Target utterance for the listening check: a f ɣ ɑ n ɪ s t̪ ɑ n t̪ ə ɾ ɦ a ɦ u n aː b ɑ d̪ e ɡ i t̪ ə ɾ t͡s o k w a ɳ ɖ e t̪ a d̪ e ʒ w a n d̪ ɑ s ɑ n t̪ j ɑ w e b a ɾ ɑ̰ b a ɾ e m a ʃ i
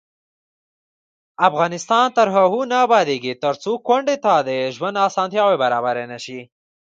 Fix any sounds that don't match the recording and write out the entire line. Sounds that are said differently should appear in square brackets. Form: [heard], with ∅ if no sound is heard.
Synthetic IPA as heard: a f ɣ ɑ n ɪ s t̪ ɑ n t̪ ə ɾ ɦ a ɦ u n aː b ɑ d̪ e ɡ i t̪ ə ɾ t͡s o k w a ɳ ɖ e t̪ a d̪ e ʒ w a n d̪ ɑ s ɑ n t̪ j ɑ w e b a ɾ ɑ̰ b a ɾ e [n] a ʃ i